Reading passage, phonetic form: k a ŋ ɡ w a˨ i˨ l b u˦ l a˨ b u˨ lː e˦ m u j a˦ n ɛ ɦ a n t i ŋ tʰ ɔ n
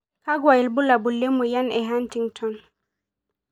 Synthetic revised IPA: k a ɡ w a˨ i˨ l b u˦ l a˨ b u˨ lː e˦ m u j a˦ n ɛ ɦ a n t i ŋ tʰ ɔ n